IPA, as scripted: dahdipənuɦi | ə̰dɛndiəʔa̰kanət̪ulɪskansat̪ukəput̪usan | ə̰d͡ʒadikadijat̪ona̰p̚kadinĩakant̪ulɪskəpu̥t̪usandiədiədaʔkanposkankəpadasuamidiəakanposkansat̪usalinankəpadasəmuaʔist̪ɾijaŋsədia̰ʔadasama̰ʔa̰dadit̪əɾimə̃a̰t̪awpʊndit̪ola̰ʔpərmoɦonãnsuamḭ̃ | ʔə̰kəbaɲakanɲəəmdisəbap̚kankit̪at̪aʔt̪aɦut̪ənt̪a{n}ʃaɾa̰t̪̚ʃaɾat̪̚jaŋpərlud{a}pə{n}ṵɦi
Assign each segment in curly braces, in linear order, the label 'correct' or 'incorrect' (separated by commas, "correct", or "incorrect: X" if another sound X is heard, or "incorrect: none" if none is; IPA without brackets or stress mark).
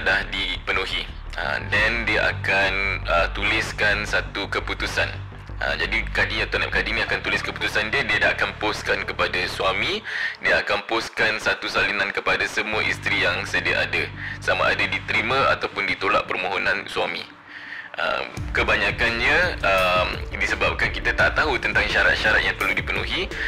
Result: incorrect: ŋ, incorrect: i, correct